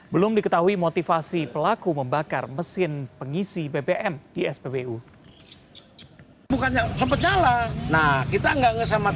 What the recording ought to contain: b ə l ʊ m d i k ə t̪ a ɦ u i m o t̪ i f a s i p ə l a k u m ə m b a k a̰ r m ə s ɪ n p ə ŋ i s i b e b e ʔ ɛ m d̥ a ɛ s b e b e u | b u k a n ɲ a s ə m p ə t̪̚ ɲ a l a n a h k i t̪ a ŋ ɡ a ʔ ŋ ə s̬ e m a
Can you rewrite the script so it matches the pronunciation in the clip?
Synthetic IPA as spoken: b ə l ʊ m d i k ə t̪ a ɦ u i m o t̪ i f a s i p ə l a k u m ə m b a k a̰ r m ə s ɪ n p ə ŋ i s i b e b e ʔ ɛ m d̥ i ɛ s b e b e u | b u k a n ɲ a s ə m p ə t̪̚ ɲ a l a n a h k i t̪ a ŋ ɡ a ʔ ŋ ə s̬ a m a